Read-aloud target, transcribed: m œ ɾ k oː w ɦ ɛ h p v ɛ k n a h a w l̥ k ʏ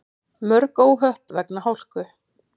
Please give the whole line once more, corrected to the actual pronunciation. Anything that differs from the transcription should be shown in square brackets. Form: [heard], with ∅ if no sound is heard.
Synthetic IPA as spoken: m œ ɾ k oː w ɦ [œ] h p v ɛ k n a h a w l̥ k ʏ